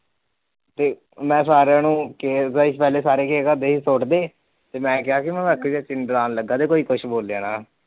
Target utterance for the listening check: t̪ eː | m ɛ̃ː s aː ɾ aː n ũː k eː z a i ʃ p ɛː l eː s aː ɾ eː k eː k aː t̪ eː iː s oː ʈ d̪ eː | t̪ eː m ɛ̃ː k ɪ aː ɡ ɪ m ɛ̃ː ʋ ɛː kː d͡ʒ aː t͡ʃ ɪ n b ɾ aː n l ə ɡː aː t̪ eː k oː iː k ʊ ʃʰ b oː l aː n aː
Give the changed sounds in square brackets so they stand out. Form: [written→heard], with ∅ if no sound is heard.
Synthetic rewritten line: t̪ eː | m ɛ̃ː s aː ɾ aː n ũː k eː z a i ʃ p ɛː l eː s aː ɾ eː k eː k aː [t̪→d̪] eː iː s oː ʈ d̪ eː | t̪ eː m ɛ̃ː k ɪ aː [ɡ→k] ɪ m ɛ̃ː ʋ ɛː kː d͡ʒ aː t͡ʃ ɪ n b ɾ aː n l ə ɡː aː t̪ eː k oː iː k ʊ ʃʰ b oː l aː n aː

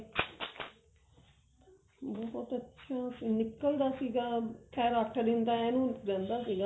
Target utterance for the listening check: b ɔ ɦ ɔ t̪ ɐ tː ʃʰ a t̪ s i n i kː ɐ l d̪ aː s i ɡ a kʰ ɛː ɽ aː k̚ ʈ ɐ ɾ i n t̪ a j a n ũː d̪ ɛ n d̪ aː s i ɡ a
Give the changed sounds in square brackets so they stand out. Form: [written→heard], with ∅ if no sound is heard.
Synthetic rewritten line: b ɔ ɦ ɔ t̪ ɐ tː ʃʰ a [t̪→∅] s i n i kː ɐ l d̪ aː s i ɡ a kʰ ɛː [ɽ→ɾ] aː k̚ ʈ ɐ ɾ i n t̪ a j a n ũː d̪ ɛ n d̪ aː s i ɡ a

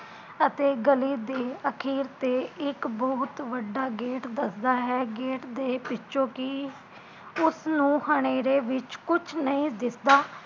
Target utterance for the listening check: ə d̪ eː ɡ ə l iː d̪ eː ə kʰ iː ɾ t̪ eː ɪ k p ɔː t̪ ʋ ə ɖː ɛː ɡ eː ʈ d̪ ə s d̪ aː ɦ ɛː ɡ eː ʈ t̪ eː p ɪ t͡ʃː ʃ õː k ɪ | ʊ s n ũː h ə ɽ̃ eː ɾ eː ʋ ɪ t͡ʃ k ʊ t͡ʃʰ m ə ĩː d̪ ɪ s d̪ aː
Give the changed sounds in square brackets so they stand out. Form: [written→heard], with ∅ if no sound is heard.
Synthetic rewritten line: ə [d̪→t̪] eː ɡ ə l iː d̪ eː ə kʰ iː ɾ t̪ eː ɪ k [p→b] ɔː t̪ ʋ ə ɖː [ɛː→aː] ɡ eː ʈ d̪ ə s d̪ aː ɦ ɛː ɡ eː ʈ [t̪→d̪] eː p ɪ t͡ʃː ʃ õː k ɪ | ʊ s n ũː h ə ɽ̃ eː ɾ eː ʋ ɪ t͡ʃ k ʊ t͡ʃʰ [m→n] ə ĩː d̪ ɪ s d̪ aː

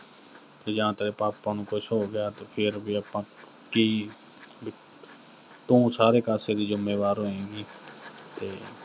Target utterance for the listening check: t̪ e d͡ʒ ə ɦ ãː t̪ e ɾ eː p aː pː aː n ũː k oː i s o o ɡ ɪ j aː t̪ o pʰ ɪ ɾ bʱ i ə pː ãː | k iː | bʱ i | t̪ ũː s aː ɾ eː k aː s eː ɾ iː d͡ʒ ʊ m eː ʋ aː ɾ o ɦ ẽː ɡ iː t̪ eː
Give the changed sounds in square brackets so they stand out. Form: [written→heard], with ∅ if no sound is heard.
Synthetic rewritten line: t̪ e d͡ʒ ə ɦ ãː t̪ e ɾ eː p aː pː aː n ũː k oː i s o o ɡ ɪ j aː t̪ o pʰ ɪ ɾ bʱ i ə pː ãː | k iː | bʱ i | t̪ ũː s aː ɾ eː k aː s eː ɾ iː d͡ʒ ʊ m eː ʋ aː ɾ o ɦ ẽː ɡ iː t̪ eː

